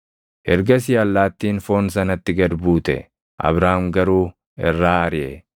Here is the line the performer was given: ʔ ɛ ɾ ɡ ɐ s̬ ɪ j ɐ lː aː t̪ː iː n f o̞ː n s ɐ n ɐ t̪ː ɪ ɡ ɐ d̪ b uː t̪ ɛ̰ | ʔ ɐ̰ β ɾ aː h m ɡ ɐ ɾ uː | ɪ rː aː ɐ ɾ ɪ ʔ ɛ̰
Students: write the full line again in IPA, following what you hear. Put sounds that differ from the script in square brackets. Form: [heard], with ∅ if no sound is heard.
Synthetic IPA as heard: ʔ ɛ ɾ ɡ ɐ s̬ ɪ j ɐ lː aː t̪ː iː n f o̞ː n s ɐ n ɐ t̪ː ɪ ɡ ɐ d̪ b uː t̪ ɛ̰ | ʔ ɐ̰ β ɾ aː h m ɡ ɐ ɾ uː | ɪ rː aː ɐ ɾ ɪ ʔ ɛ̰